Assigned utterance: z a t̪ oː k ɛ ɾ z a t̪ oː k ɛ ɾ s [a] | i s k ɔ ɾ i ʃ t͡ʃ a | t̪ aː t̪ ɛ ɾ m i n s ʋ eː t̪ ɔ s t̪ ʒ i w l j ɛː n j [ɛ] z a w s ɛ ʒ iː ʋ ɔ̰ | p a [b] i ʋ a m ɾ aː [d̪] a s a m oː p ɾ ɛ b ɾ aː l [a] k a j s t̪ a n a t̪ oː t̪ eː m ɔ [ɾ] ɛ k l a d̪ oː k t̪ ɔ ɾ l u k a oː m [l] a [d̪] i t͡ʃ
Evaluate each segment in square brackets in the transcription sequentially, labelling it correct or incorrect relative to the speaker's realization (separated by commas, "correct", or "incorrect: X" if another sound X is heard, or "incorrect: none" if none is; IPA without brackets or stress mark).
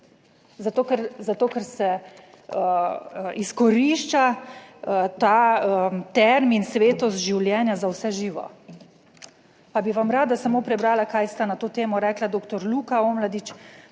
incorrect: ɛ, incorrect: a, correct, correct, correct, correct, correct, correct